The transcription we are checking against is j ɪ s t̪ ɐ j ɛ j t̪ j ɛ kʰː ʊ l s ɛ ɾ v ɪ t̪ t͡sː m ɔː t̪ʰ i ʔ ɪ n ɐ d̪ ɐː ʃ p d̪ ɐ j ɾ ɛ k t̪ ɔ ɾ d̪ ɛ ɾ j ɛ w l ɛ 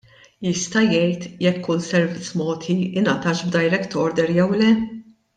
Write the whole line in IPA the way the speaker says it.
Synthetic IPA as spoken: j ɪ s t̪ ɐ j ɛ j t̪ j ɛ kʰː ʊ l s ɛ ɾ v ɪ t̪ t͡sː m ɔː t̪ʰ i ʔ ɪ n ɐ t̪ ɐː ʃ b d̪ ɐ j ɾ ɛ k t̪ ɔ ɾ d̪ ɛ ɾ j ɛ w l ɛ